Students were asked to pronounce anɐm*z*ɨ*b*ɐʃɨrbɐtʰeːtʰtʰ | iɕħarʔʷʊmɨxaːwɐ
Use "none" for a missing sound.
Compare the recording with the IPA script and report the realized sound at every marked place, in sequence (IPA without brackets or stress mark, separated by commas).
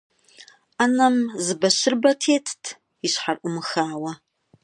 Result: z, b